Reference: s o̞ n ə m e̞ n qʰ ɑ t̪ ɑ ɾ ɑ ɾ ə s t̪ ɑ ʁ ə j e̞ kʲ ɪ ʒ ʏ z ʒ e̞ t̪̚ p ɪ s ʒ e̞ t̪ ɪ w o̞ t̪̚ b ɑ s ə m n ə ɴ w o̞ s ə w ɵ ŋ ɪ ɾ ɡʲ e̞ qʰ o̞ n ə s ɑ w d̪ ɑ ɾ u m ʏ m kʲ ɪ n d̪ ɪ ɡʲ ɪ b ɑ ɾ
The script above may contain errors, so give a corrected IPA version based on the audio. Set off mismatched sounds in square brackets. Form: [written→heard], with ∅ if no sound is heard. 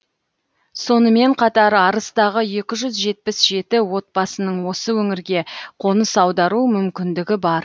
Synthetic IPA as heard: s o̞ n ə m e̞ [n→ɴ] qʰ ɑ t̪ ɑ ɾ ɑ ɾ ə s t̪ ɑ ʁ ə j e̞ kʲ ɪ ʒ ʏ z ʒ e̞ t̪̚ p ɪ s ʒ e̞ t̪ ɪ w o̞ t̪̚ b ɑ s ə [m→∅] n ə ɴ w o̞ s ə w ɵ ŋ ɪ ɾ ɡʲ e̞ qʰ o̞ n ə s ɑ w d̪ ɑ ɾ u m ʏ m kʲ ɪ n d̪ ɪ ɡʲ ɪ b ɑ ɾ